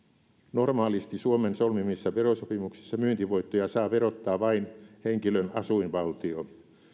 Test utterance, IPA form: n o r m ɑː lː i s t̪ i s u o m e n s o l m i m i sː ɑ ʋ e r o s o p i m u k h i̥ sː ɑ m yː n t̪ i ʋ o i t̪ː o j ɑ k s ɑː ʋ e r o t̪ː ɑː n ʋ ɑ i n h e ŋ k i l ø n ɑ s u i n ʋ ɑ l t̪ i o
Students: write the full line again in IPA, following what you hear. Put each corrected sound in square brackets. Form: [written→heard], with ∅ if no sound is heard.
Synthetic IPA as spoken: n o r m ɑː [lː→l] i s t̪ i s u o m e n s o l m i m i sː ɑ ʋ e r o s o p i m u k [h→s] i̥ sː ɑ m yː n t̪ i ʋ o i t̪ː o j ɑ [k→∅] s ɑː ʋ e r o t̪ː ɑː [n→∅] ʋ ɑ i n h e ŋ k i l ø n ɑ s u i n ʋ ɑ l t̪ i o